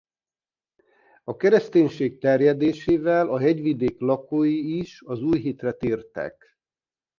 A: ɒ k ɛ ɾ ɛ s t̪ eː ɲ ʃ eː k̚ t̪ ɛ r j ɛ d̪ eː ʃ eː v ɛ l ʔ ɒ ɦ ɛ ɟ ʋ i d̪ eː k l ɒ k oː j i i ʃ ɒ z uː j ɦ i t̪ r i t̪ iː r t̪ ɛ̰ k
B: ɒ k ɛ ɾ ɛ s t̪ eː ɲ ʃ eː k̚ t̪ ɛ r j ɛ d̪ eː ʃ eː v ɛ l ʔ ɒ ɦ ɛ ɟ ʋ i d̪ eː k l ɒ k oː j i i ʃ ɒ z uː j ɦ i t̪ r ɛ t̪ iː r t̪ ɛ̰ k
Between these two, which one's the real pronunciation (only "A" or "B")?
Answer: B